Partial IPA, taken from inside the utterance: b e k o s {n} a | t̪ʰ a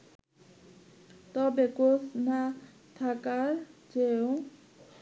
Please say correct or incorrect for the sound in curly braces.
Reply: correct